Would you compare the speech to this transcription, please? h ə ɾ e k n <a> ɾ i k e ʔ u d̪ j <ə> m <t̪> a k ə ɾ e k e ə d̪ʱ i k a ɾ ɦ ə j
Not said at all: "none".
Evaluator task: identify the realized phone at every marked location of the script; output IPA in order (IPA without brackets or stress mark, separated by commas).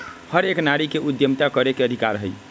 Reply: a, ə, t̪